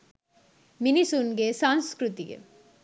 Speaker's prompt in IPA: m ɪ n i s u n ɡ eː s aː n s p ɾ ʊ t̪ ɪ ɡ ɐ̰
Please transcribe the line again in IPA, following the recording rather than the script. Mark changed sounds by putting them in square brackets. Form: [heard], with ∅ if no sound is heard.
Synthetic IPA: m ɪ n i s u n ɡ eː s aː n s [k] ɾ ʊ t̪ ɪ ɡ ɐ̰